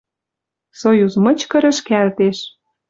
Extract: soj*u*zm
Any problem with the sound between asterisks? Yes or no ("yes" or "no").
no